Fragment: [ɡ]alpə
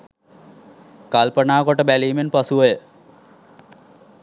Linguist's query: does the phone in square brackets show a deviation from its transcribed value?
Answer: yes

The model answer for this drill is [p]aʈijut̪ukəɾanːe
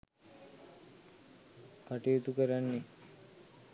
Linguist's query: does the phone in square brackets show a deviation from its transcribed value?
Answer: yes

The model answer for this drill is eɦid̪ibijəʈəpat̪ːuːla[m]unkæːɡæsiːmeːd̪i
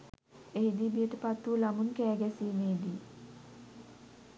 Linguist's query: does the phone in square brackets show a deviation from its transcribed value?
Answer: no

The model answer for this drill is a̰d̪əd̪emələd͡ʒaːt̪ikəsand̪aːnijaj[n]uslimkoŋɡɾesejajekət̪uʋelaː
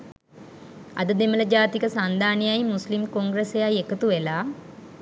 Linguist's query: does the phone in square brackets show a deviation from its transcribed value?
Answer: yes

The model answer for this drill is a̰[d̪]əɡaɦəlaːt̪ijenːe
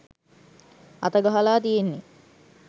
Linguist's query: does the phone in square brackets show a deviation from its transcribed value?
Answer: yes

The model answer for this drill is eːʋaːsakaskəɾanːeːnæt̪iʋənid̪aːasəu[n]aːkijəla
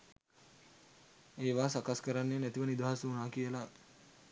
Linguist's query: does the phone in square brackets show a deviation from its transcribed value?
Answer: no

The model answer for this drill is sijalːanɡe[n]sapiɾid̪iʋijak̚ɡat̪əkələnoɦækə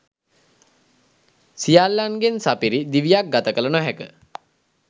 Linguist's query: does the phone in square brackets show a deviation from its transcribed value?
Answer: no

